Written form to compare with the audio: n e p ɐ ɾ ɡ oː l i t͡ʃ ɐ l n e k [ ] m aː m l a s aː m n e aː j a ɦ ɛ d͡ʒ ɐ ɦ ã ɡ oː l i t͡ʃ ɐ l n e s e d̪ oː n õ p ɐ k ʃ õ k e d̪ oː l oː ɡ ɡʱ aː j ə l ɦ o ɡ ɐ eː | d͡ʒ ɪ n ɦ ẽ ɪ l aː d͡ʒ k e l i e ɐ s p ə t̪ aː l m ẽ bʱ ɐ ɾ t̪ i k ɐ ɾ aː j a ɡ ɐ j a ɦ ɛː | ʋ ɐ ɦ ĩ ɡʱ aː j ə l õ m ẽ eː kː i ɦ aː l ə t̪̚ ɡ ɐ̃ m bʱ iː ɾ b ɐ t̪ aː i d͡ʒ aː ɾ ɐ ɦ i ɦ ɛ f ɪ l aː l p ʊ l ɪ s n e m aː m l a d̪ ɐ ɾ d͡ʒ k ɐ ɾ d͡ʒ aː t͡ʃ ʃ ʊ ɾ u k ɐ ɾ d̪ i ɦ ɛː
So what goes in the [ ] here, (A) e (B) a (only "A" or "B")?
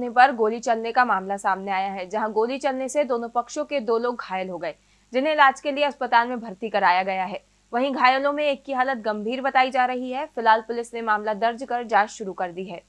B